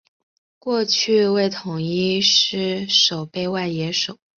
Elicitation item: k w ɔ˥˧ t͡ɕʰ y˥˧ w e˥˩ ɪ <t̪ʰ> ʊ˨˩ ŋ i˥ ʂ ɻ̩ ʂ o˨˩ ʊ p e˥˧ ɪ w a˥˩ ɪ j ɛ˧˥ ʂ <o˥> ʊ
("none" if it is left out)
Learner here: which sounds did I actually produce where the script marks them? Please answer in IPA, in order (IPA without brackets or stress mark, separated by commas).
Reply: t̪ʰ, o˨˩˦